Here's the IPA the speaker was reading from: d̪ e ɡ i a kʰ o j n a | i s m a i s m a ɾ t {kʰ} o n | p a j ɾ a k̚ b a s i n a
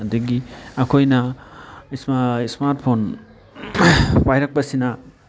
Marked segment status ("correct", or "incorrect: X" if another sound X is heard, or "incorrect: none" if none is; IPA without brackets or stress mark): incorrect: pʰ